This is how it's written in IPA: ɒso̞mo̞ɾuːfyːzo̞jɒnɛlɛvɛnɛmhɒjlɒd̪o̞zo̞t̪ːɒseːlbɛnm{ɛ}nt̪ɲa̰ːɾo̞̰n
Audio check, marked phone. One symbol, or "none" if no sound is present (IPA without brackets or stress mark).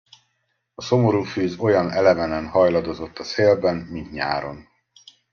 i